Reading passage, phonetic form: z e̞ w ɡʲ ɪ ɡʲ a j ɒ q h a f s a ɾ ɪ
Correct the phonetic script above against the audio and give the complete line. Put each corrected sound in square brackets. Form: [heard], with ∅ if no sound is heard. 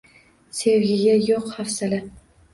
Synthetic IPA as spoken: [s] e̞ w ɡʲ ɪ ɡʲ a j [o] q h a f s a [l] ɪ